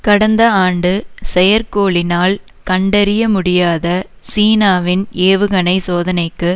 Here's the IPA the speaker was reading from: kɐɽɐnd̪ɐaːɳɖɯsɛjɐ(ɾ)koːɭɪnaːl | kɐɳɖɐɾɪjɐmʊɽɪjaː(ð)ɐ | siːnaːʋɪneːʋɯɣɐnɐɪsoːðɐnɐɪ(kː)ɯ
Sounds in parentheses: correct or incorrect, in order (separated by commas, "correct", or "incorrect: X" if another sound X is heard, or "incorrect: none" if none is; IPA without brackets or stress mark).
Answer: correct, correct, correct